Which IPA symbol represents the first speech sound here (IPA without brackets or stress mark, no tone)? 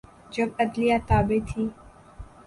d͡ʒ